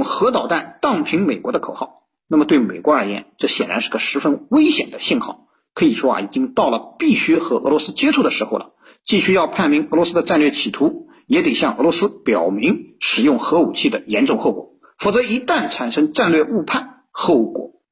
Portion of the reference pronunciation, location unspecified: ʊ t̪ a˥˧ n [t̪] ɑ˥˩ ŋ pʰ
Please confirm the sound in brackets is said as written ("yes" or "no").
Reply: yes